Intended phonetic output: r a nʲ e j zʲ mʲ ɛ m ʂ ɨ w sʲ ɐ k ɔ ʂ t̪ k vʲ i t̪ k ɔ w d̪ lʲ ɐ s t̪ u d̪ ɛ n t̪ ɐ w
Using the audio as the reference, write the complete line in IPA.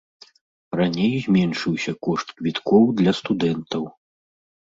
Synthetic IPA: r a nʲ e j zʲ mʲ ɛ n ʂ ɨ w sʲ ɐ k ɔ ʂ t̪ k vʲ i t̪ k ɔ w d̪ lʲ ɐ s t̪ u d̪ ɛ n t̪ ɐ w